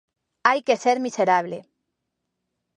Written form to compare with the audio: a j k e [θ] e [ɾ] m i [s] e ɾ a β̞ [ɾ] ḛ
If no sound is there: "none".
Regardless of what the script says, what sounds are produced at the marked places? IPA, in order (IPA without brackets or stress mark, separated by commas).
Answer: s, ɾ, s, l